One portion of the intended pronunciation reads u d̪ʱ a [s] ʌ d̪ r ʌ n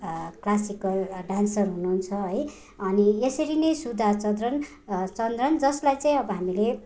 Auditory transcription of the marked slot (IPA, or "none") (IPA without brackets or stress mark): t͡s